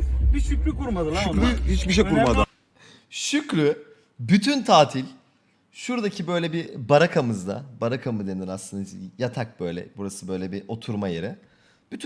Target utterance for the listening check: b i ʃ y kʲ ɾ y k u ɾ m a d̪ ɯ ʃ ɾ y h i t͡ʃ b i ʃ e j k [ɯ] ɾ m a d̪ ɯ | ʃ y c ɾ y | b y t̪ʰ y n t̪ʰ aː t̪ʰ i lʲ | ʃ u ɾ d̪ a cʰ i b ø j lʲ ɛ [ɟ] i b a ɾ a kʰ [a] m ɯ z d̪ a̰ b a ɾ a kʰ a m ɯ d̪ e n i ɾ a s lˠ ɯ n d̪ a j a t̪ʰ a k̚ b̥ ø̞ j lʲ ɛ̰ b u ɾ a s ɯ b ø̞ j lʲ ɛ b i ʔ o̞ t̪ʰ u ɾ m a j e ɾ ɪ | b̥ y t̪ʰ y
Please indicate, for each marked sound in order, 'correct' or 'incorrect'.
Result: incorrect, incorrect, correct

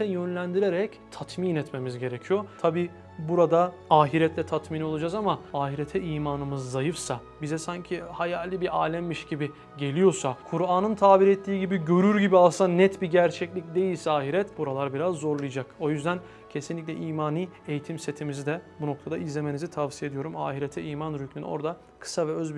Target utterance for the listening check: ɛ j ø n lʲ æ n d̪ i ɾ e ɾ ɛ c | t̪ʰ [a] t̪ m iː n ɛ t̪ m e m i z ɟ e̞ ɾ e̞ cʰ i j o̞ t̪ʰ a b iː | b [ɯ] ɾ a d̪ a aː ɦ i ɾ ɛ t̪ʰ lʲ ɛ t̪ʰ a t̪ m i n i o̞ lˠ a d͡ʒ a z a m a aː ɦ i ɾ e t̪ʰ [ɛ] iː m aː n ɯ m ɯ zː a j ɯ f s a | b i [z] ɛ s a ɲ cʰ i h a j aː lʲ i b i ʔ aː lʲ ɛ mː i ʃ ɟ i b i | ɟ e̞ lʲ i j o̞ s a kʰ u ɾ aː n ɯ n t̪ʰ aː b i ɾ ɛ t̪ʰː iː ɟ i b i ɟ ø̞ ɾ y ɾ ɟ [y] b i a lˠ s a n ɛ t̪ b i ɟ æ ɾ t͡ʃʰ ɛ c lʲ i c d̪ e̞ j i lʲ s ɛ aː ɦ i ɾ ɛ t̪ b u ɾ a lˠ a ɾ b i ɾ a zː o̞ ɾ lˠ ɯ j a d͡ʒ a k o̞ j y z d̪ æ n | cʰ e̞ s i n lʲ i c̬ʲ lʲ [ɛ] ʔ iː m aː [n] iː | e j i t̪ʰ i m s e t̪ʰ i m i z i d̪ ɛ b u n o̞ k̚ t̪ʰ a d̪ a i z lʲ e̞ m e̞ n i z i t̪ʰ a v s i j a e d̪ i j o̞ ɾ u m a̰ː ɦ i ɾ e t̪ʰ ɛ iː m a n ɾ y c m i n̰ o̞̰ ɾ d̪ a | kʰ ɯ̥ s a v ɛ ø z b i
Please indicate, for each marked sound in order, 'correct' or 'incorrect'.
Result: correct, incorrect, correct, correct, incorrect, correct, correct

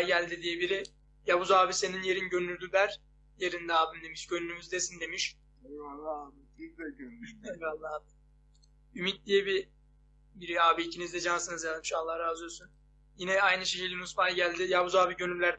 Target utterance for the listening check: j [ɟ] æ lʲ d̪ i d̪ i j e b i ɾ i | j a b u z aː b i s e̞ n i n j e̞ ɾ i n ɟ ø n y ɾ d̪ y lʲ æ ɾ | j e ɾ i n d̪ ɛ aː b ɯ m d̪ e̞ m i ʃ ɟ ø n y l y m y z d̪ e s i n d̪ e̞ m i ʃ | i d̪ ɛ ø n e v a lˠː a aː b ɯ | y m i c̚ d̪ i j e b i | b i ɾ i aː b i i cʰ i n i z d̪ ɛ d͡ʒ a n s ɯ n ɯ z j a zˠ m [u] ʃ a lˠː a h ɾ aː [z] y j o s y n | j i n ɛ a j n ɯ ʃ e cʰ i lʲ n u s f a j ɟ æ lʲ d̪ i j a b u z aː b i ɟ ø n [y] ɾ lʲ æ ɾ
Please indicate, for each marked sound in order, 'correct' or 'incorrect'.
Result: correct, incorrect, correct, correct

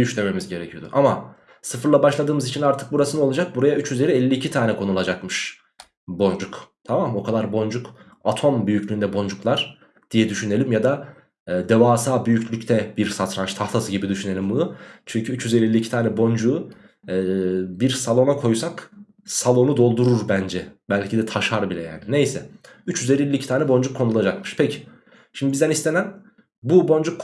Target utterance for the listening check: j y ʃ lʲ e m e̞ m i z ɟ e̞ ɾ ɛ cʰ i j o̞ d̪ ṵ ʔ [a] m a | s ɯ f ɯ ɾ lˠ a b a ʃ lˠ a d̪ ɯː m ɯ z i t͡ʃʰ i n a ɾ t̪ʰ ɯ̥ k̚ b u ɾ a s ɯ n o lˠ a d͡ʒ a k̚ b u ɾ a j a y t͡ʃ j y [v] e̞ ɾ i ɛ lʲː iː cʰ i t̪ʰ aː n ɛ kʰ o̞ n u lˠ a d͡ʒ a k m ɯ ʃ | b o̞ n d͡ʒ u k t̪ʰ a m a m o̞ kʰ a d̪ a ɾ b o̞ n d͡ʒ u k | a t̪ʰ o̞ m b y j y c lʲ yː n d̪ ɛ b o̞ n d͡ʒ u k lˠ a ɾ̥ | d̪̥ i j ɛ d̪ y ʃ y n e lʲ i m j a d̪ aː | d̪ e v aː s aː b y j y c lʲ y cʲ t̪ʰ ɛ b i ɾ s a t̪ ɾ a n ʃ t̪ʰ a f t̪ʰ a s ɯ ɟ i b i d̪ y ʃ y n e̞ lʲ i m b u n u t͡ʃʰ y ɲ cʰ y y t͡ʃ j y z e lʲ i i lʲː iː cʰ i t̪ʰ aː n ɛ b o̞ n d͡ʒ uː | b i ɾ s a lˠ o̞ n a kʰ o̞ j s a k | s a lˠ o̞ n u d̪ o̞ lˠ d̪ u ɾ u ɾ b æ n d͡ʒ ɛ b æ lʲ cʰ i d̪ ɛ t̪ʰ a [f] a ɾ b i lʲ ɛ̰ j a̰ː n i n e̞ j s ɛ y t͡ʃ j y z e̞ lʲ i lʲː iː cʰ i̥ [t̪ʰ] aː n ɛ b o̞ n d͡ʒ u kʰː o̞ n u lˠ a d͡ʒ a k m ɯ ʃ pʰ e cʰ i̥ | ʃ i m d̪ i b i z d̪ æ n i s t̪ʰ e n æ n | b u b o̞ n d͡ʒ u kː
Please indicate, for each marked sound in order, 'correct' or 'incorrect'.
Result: correct, incorrect, incorrect, incorrect

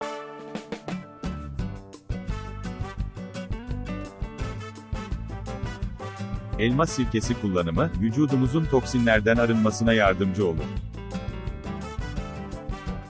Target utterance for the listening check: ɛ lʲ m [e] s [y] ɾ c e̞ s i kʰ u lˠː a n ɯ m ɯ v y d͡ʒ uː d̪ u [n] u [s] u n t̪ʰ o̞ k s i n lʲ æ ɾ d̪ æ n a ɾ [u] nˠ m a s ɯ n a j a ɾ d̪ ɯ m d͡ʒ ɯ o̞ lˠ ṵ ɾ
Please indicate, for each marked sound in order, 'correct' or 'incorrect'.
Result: incorrect, incorrect, incorrect, incorrect, incorrect

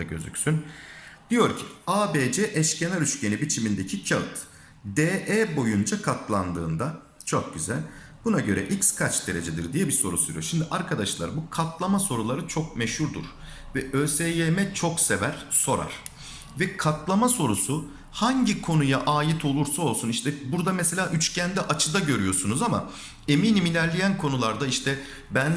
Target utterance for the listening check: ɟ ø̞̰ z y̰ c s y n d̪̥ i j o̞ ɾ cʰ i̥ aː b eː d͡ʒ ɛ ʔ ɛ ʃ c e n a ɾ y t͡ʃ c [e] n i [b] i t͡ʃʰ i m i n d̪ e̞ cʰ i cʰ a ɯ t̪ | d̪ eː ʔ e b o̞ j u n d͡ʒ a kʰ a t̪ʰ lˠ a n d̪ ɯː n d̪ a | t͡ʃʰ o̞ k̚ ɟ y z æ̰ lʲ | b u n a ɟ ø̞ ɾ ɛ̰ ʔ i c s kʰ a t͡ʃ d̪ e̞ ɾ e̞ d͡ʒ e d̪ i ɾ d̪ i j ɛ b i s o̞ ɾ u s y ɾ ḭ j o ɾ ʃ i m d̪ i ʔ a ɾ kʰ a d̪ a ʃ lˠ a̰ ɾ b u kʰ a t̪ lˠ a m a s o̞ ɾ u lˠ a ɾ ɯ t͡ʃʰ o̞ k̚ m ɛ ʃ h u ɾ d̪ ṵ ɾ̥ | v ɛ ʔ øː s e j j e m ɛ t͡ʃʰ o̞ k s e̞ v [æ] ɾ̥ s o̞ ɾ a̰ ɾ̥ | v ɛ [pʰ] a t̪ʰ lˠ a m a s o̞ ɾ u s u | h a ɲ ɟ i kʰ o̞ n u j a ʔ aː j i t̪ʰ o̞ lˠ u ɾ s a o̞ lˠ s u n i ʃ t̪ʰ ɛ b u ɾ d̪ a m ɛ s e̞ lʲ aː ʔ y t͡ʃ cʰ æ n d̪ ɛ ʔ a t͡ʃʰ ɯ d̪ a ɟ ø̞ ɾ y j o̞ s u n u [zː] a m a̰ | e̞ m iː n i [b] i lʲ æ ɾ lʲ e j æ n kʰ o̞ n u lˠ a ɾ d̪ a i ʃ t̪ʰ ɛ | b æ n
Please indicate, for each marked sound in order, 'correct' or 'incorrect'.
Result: correct, correct, correct, incorrect, incorrect, incorrect

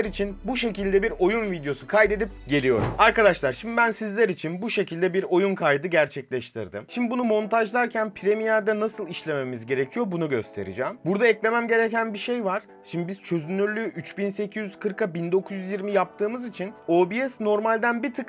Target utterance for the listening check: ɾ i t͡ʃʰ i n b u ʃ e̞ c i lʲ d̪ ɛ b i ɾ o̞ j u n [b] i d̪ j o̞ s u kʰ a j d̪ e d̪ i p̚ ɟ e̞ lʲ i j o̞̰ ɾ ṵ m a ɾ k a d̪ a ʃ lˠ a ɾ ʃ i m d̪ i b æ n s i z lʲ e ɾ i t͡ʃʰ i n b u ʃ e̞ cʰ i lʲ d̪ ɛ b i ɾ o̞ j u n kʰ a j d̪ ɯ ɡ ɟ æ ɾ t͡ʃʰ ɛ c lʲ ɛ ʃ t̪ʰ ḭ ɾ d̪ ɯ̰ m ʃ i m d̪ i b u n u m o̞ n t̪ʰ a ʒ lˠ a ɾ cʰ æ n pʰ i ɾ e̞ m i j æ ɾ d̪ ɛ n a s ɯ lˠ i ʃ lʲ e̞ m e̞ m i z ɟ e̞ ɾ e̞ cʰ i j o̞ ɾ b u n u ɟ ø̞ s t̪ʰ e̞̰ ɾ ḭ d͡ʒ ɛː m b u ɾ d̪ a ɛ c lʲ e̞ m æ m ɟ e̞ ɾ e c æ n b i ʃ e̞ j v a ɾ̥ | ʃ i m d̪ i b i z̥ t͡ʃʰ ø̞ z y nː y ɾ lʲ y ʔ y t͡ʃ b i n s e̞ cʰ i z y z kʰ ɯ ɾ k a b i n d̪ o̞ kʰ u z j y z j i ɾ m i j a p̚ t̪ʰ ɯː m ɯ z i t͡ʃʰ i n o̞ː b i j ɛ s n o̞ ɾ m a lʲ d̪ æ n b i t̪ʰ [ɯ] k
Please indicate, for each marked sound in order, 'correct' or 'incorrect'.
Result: incorrect, correct

